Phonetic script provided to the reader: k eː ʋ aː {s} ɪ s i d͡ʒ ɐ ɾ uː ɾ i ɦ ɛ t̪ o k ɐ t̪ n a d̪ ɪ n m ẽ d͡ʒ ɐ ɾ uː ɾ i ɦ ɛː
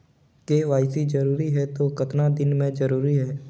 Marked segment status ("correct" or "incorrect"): incorrect